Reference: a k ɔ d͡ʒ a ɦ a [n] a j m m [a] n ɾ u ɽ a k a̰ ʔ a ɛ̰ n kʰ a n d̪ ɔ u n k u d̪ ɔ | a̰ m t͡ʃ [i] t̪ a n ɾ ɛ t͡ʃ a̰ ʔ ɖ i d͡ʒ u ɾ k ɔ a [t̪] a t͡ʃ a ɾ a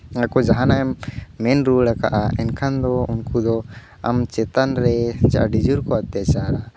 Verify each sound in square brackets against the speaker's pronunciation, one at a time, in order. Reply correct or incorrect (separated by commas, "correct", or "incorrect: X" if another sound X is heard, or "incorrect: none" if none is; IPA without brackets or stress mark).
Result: correct, incorrect: ɛ, incorrect: ɛ, correct